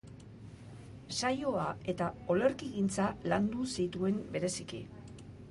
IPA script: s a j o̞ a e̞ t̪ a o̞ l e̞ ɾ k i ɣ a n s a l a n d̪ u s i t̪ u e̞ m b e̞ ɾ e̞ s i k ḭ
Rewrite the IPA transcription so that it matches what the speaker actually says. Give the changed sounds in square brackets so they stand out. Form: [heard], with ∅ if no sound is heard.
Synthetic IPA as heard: s a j o̞ a e̞ t̪ a o̞ l e̞ ɾ k i ɣ [i] n [t͡s] a l a n d̪ u s i t̪ u e̞ m b e̞ ɾ e̞ s i k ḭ